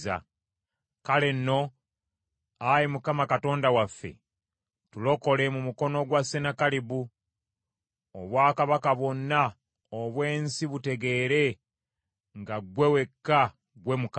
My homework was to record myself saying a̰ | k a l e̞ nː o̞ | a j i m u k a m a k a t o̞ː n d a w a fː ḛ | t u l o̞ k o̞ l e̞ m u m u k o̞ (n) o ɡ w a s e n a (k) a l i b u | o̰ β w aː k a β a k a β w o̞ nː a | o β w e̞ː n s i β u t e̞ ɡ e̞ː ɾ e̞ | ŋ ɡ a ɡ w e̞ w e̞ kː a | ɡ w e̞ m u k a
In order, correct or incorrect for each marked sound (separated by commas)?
correct, correct